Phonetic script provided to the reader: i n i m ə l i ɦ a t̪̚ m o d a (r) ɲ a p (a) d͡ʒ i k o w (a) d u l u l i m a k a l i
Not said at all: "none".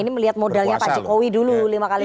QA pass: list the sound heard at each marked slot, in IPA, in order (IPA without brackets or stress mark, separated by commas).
l, a, i